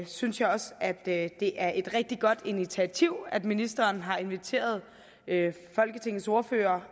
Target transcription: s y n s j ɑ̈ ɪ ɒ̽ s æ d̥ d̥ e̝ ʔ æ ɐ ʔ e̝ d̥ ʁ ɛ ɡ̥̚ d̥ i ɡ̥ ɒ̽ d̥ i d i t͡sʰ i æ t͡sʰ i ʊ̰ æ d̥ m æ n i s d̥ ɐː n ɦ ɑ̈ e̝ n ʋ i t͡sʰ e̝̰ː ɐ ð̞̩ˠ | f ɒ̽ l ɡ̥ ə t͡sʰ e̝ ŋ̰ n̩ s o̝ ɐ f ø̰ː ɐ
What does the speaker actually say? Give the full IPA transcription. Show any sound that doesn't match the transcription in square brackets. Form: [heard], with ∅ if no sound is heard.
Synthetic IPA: s y n s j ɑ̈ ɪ ɒ̽ s æ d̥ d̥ e̝ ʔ æ ɐ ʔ e̝ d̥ ʁ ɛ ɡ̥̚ d̥ i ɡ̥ ɒ̽ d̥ i [n] i t͡sʰ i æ t͡sʰ i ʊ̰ æ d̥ m [i] n i s d̥ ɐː n ɦ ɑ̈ e̝ n ʋ i t͡sʰ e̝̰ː ɐ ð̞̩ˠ | f ɒ̽ l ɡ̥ ə t͡sʰ e̝ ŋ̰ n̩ s o̝ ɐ f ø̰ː ɐ